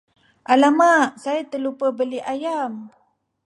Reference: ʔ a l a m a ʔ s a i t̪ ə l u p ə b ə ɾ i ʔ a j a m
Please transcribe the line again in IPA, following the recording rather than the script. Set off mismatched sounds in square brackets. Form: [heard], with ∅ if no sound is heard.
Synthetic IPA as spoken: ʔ a l a m a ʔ s a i t̪ ə l u p ə b ə [l] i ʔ a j a m